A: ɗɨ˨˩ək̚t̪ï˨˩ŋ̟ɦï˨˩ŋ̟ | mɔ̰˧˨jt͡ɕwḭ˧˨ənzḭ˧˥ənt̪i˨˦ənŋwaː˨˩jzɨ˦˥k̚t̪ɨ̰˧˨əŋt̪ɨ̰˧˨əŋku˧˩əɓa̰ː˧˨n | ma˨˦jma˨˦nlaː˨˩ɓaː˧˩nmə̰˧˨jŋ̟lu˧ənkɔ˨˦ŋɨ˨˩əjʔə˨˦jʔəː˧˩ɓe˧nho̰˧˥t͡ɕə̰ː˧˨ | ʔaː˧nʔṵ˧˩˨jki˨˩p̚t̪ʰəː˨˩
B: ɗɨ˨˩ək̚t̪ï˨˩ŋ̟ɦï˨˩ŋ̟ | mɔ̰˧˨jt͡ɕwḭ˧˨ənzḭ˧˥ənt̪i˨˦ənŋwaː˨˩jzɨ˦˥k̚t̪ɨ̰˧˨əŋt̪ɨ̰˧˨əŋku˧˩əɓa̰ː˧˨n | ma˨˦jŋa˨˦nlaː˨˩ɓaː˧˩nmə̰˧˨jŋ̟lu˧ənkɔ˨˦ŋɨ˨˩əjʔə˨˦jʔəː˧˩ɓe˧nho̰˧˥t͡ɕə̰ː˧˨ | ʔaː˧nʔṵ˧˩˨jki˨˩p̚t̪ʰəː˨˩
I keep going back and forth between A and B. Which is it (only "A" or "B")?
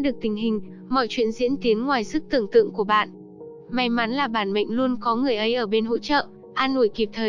A